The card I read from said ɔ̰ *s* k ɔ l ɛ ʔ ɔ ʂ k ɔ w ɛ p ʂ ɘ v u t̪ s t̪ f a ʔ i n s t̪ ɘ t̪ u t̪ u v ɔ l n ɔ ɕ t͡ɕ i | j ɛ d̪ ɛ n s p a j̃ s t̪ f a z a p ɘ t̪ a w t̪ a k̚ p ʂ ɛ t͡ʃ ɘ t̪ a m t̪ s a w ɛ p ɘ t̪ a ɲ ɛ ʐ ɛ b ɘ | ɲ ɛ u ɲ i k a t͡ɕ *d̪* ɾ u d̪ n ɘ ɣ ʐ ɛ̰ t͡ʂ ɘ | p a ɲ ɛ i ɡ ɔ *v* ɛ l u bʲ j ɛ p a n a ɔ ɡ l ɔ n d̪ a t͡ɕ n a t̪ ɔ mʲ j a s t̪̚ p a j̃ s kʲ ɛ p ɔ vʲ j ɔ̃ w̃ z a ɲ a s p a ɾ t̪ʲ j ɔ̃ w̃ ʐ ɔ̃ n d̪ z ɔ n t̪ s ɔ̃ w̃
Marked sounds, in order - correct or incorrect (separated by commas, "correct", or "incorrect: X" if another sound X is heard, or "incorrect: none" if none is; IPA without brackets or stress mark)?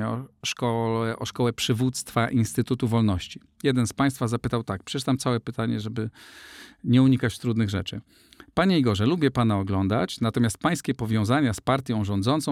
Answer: incorrect: ʂ, incorrect: t̪, incorrect: ʐ